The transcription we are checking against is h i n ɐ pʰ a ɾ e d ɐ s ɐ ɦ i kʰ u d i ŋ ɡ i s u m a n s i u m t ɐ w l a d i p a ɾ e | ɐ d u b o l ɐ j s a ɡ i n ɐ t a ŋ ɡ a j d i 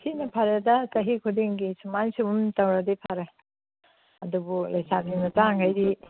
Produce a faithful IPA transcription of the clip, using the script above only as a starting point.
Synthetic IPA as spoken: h i n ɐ pʰ a ɾ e d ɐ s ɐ ɦ i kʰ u d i ŋ ɡ i s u m a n s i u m t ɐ w ɾ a d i pʰ a ɾ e | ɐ d u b u l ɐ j s a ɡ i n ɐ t a ŋ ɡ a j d i